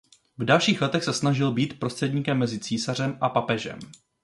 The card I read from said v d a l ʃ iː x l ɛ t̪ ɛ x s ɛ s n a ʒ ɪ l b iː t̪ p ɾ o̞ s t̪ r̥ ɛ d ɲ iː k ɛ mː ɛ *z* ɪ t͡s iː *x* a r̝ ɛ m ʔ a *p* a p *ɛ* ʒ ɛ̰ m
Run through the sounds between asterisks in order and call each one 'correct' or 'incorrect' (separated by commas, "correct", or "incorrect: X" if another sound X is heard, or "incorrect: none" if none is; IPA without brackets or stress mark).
correct, incorrect: s, correct, correct